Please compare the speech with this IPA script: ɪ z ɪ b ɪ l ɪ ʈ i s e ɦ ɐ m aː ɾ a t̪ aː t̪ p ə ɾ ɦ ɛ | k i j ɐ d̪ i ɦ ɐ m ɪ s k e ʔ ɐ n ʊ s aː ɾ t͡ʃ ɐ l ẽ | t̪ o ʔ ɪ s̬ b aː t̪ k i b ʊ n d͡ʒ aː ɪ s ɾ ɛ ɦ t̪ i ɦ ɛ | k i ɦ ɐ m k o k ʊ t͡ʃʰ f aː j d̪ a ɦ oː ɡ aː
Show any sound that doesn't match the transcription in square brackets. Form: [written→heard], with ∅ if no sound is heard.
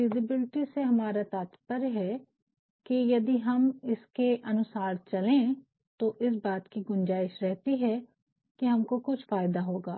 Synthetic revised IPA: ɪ z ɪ b ɪ l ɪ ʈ i s e ɦ ɐ m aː ɾ a t̪ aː t̪ p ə ɾ ɦ ɛ | k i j ɐ d̪ i ɦ ɐ m ɪ s k e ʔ ɐ n ʊ s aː ɾ t͡ʃ ɐ l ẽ | t̪ o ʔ ɪ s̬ b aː t̪ k i [b→ɡ] ʊ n d͡ʒ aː ɪ [s→ʃ] ɾ ɛ ɦ t̪ i ɦ ɛ | k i ɦ ɐ m k o k ʊ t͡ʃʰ f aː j d̪ a ɦ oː ɡ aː

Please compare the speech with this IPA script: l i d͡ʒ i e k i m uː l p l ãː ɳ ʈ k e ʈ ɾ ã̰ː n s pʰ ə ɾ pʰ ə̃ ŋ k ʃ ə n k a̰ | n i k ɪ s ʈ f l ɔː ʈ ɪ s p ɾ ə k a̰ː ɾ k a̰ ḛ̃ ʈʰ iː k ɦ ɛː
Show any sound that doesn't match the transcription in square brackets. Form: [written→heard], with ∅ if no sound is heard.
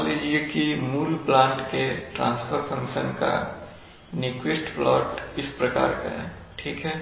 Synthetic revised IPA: l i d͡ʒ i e k i m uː l p l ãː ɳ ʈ k e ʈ ɾ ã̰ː n s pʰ ə ɾ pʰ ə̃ ŋ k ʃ ə n k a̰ | n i k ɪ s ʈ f l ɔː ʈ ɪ s p ɾ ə k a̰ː ɾ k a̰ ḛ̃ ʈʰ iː k ɦ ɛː

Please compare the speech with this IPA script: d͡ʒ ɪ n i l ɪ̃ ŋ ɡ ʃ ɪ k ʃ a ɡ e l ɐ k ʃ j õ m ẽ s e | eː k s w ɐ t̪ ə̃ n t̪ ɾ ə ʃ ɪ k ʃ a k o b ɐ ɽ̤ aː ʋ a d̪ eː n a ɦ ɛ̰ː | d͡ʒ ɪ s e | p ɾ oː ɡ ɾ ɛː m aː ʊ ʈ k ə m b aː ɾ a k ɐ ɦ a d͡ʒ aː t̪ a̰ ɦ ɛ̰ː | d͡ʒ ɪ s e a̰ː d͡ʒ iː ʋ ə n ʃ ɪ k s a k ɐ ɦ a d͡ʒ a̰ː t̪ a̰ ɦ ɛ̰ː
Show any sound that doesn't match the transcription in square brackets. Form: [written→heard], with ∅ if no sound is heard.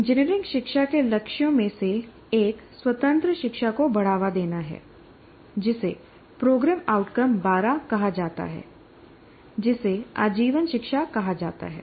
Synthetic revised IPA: d͡ʒ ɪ n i [l→ɾ] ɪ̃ ŋ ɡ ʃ ɪ k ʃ a [ɡ→k] e l ɐ k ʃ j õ m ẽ s e | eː k s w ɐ t̪ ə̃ n t̪ ɾ ə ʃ ɪ k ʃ a k o b ɐ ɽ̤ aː ʋ a d̪ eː n a ɦ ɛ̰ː | d͡ʒ ɪ s e | p ɾ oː ɡ ɾ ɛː m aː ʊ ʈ k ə m b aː ɾ a k ɐ ɦ a d͡ʒ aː t̪ a̰ ɦ ɛ̰ː | d͡ʒ ɪ s e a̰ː d͡ʒ iː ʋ ə n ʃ ɪ k [s→ʃ] a k ɐ ɦ a d͡ʒ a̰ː t̪ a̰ ɦ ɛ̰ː

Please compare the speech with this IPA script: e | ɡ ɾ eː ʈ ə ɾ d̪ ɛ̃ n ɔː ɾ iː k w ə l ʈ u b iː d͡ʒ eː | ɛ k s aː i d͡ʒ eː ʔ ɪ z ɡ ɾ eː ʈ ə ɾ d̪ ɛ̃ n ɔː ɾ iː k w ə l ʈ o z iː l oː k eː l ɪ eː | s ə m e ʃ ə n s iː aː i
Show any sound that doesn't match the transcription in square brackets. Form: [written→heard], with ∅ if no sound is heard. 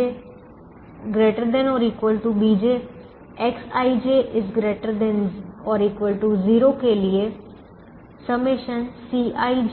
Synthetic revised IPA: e | ɡ ɾ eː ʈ ə ɾ d̪ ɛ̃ n ɔː ɾ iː k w ə l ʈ u b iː d͡ʒ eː | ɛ k s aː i d͡ʒ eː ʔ ɪ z ɡ ɾ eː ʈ ə ɾ d̪ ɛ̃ n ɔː ɾ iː k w ə l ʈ [o→u] z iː [l→ɾ] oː k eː l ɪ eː | s ə m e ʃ ə n s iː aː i

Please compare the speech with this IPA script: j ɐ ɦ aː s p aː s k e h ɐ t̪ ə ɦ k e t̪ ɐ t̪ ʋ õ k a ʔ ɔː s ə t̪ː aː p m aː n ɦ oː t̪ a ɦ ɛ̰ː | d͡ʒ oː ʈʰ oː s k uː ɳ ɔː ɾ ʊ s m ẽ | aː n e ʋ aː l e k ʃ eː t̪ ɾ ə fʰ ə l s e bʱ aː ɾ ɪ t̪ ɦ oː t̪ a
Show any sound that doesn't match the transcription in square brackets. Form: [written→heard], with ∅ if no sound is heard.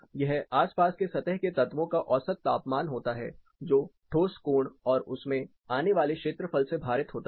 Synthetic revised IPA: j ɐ ɦ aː s p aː s k e [h→s] ɐ t̪ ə ɦ k e t̪ ɐ t̪ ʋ õ k a ʔ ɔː s ə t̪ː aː p m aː n ɦ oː t̪ a ɦ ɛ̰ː | d͡ʒ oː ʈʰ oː s k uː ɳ ɔː ɾ ʊ s m ẽ | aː n e ʋ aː l e k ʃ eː t̪ ɾ ə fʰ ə l s e bʱ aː ɾ ɪ t̪ ɦ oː t̪ a

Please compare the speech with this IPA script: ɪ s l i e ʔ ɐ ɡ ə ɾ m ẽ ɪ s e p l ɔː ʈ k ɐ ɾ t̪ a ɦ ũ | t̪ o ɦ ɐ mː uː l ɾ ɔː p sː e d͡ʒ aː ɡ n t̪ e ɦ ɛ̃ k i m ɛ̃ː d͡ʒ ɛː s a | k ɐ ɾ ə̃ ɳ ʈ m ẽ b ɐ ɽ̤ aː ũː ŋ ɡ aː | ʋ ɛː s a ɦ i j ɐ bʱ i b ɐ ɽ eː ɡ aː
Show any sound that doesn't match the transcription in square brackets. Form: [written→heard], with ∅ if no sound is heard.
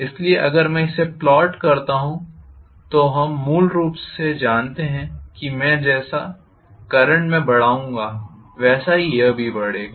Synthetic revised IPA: ɪ s l i e ʔ ɐ ɡ ə ɾ m [ẽ→ɛ̃] ɪ s e p l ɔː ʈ k ɐ ɾ t̪ a ɦ ũ | t̪ o ɦ ɐ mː uː l ɾ [ɔː→uː] p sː e d͡ʒ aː [ɡ→∅] n t̪ e ɦ ɛ̃ k i m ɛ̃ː d͡ʒ ɛː s a | k ɐ ɾ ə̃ ɳ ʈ m ẽ b ɐ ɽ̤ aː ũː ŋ ɡ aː | ʋ ɛː s a ɦ i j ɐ bʱ i b ɐ ɽ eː ɡ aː

